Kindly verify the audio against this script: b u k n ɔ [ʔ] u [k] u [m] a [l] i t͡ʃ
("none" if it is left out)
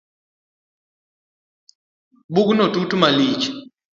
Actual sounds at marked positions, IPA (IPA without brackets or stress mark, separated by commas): t, t, m, l